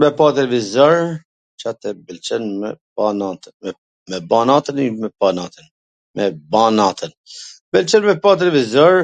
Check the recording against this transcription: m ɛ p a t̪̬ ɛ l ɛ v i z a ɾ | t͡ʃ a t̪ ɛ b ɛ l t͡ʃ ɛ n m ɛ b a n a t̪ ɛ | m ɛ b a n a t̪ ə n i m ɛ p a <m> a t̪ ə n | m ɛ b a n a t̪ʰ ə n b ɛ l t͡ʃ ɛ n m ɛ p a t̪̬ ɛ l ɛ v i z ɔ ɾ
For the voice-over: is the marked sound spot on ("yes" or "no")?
no